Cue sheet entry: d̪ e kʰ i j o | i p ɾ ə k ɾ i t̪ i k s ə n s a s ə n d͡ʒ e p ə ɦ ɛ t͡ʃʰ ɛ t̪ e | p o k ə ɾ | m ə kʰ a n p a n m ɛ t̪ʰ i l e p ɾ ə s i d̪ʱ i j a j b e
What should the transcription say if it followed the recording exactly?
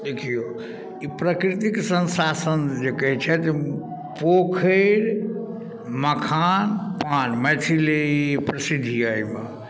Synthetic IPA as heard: d̪ e kʰ i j o | i p ɾ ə k ɾ i t̪ i k s ə n s a s ə n d͡ʒ e k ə ɦ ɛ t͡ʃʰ ɛ t̪ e | p o kʰ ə ɾ | m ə kʰ a n p a n m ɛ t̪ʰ i l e p ɾ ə s i d̪ʱ i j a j m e